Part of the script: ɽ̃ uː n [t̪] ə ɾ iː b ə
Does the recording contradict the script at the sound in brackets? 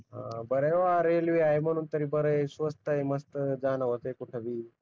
no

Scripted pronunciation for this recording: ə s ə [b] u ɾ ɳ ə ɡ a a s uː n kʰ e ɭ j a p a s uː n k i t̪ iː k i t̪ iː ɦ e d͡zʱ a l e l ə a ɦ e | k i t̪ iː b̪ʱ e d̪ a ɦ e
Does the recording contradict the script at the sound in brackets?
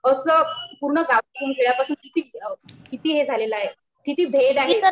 yes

